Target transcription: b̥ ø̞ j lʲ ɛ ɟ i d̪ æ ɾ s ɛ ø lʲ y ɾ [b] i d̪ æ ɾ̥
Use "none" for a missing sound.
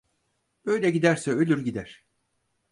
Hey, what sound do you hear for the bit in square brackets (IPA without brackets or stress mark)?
ɟ